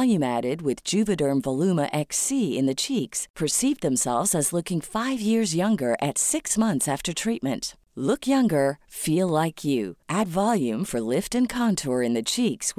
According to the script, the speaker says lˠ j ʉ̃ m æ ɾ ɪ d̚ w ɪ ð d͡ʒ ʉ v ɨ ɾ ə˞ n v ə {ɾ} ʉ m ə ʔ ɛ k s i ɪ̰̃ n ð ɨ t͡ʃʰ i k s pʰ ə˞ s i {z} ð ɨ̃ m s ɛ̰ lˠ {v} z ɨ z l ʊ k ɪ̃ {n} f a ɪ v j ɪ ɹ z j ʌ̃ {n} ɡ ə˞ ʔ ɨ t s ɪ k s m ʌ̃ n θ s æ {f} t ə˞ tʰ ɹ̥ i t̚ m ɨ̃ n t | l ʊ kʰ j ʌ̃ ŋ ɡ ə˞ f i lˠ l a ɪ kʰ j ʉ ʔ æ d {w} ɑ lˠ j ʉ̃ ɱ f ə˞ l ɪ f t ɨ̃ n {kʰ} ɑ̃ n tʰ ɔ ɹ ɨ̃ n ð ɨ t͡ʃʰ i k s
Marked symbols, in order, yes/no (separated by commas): no, no, yes, no, no, yes, no, yes